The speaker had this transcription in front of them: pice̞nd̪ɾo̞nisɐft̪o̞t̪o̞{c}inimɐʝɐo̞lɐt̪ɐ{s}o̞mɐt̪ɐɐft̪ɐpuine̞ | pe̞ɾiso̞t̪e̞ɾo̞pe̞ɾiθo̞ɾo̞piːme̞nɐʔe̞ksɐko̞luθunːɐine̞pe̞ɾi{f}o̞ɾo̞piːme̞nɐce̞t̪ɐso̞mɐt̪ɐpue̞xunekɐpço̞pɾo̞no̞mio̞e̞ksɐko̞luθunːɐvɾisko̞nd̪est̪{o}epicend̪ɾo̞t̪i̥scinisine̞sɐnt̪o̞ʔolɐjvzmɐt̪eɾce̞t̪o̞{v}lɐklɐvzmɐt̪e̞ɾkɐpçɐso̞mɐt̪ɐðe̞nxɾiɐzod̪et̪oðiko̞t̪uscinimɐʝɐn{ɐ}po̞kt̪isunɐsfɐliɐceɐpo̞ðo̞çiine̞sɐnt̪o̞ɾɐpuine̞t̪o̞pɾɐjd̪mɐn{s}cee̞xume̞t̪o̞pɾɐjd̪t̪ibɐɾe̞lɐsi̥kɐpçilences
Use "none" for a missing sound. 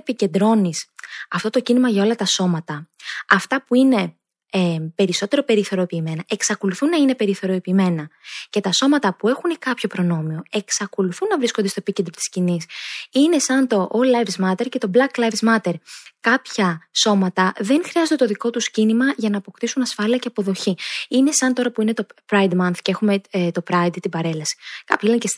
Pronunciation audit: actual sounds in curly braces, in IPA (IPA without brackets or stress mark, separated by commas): c, s, θ, o, b, ɐː, θ